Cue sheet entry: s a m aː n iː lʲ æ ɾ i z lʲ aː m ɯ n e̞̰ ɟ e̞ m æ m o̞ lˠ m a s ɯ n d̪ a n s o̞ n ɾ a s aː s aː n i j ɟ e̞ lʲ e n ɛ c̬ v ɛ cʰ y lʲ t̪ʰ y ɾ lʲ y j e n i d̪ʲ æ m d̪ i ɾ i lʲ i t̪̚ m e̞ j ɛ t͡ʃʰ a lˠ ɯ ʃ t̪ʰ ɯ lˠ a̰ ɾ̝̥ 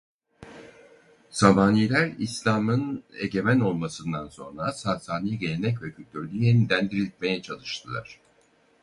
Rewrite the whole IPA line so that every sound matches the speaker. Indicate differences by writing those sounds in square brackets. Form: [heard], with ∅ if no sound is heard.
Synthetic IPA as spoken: s a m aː n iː lʲ æ ɾ i [s] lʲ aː m ɯ n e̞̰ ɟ e̞ m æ [n] o̞ lˠ m a s ɯ n d̪ a n s o̞ n ɾ a s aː s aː n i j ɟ e̞ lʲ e n ɛ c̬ v ɛ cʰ y lʲ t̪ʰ y ɾ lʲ y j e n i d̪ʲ æ [n] d̪ i ɾ i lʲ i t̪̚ m e̞ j ɛ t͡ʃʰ a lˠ ɯ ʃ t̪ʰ ɯ lˠ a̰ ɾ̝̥